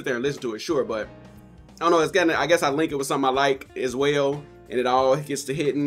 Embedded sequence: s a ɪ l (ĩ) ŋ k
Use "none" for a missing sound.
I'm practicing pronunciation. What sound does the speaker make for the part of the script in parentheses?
ɪ̃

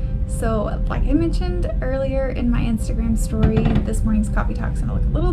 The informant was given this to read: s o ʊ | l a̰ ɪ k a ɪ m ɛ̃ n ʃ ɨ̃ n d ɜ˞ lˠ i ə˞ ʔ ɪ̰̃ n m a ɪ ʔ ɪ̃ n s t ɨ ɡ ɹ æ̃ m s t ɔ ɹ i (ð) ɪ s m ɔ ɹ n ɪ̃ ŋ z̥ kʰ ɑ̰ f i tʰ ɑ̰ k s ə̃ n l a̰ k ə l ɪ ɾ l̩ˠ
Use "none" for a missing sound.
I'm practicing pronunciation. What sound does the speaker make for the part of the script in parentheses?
ð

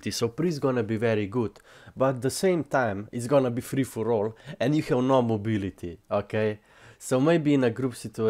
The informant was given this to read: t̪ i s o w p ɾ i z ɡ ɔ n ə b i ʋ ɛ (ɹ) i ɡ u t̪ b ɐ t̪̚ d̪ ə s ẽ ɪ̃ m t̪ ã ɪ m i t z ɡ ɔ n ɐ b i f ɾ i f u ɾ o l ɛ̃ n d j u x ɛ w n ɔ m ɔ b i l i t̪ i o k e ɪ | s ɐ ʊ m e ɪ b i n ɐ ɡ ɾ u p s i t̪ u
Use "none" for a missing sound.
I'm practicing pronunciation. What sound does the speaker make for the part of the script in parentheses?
ɾ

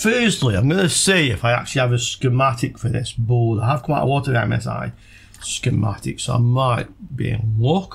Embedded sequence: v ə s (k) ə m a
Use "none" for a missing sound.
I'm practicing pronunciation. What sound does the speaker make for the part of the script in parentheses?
k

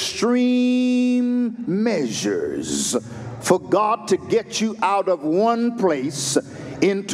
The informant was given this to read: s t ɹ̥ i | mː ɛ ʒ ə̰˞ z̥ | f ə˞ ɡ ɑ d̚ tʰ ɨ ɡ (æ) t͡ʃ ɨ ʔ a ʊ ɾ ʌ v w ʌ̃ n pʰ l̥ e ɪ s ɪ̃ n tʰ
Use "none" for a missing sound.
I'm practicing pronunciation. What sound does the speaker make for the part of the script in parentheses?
ɛ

